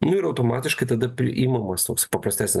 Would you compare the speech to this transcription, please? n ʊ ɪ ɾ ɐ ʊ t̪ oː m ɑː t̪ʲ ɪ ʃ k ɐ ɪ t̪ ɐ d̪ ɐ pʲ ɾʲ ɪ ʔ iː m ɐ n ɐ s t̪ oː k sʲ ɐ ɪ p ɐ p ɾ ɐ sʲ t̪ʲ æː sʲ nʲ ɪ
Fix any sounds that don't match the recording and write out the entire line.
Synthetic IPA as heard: n ʊ ɪ ɾ ɐ ʊ t̪ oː m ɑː t̪ʲ ɪ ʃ k ɐ ɪ t̪ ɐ d̪ ɐ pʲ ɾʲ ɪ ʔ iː m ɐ m ɐ s t̪ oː k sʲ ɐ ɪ p ɐ p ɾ ɐ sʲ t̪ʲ æː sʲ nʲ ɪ